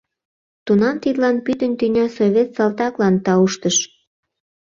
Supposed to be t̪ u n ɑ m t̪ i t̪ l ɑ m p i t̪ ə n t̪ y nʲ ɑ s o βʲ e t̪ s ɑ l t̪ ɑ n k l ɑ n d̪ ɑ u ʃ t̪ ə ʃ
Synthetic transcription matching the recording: t̪ u n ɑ m t̪ i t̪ l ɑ n p y t̪ ə n t̪ y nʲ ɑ s o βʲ e t̪ s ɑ l t̪ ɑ k l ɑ n t̪ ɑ u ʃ t̪ ə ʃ